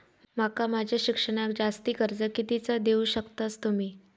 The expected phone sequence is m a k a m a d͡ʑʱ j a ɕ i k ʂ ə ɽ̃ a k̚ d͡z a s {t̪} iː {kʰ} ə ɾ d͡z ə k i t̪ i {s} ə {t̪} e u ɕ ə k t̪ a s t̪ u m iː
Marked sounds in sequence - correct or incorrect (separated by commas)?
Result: correct, incorrect, incorrect, incorrect